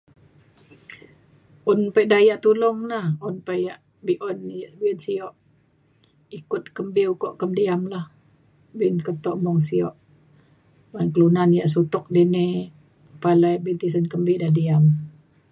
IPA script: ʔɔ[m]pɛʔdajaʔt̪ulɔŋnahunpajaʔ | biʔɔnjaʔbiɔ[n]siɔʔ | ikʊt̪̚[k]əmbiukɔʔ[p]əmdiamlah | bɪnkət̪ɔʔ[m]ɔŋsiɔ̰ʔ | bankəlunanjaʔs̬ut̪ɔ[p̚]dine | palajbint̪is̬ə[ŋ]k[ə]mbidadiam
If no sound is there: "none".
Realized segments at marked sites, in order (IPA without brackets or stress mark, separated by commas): n, n, k, k, m, k̚, n, ə